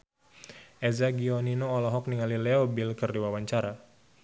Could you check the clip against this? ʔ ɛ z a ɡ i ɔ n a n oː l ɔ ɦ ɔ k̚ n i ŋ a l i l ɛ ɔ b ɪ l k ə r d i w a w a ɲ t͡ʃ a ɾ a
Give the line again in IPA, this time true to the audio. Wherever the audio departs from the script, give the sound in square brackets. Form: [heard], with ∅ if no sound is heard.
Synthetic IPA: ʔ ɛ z a ɡ i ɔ n [i] n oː l ɔ ɦ ɔ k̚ n i ŋ a l i l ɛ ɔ b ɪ l k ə r d i w a w a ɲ t͡ʃ a ɾ a